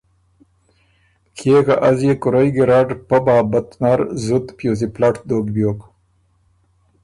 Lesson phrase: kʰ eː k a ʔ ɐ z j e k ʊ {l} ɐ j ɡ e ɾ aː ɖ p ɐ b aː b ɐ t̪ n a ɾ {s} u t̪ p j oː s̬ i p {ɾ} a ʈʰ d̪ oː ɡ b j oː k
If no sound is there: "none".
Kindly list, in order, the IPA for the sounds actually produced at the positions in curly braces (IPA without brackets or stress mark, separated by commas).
ɾ, z, l